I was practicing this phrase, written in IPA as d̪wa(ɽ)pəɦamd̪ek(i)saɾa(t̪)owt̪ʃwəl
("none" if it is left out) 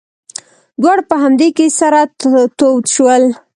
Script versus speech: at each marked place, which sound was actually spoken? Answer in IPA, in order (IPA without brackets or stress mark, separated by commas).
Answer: ɽ, e, t̪